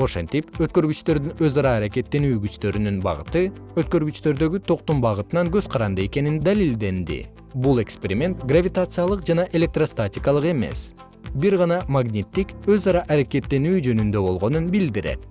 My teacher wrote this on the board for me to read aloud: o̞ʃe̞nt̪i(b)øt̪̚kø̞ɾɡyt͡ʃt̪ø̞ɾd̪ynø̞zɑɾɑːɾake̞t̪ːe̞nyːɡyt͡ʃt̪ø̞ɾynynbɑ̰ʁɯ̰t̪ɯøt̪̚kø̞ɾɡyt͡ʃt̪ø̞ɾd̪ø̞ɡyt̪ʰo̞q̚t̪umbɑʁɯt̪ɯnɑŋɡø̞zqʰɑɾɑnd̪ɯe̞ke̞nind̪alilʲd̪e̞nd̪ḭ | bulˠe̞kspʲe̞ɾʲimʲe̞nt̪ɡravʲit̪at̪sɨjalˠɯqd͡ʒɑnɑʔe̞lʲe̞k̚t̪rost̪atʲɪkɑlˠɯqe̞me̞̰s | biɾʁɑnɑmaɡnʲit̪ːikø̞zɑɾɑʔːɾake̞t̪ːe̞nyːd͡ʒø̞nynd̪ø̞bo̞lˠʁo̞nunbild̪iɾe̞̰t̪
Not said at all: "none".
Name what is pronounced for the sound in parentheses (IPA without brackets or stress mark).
p